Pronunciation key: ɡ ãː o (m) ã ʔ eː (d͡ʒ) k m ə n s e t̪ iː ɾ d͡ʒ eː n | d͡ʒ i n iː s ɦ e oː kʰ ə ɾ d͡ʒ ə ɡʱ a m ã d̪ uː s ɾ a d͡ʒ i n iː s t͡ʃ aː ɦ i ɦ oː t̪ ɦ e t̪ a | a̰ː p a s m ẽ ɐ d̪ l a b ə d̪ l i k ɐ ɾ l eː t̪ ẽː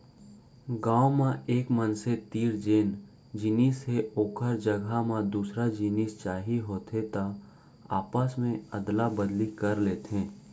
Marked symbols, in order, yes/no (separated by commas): yes, no